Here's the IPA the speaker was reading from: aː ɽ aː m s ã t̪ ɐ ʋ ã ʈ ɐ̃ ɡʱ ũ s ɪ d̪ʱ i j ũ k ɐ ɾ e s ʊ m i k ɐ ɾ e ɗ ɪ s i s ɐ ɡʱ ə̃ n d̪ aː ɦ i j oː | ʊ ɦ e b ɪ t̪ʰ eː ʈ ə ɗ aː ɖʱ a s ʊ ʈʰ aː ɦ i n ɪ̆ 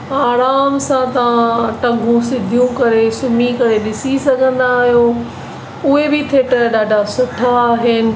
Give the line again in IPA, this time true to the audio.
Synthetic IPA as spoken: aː ɾ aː m s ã t̪ ɐ ʋ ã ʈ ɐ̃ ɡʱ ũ s ɪ d̪ʱ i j ũ k ɐ ɾ e s ʊ m i k ɐ ɾ e ɗ ɪ s i s ɐ ɡʱ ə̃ n d̪ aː ɦ i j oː | ʊ ɦ e b ɪ t̪ʰ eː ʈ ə ɗ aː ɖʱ a s ʊ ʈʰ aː ɦ ɪ n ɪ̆